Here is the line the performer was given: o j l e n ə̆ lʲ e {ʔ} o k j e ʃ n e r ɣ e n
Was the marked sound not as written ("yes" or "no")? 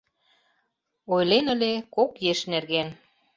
yes